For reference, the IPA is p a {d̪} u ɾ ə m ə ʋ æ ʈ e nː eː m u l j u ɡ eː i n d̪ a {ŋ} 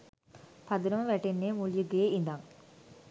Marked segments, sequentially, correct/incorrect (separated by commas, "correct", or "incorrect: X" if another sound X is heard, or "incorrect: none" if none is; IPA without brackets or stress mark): correct, correct